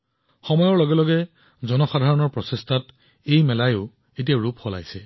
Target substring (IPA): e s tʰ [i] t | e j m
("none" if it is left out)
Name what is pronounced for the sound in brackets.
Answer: a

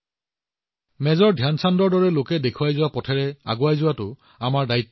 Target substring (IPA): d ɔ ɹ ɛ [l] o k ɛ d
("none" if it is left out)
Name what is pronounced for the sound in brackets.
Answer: l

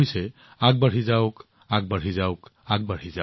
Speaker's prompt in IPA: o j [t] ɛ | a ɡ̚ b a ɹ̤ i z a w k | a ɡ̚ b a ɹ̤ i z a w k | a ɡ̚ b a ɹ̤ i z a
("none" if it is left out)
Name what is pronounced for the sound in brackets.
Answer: s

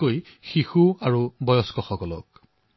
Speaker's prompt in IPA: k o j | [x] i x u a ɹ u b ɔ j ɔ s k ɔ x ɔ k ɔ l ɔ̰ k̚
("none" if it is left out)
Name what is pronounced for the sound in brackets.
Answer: x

